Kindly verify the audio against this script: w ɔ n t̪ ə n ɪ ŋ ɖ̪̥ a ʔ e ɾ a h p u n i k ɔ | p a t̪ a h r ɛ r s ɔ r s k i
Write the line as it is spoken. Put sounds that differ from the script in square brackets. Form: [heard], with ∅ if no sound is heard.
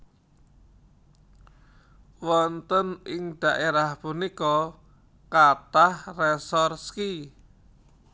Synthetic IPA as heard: w ɔ n t̪ ə n ɪ ŋ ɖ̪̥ a ʔ e ɾ a h p u n i k ɔ | [k] a t̪ a h r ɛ [∅] s ɔ r s k i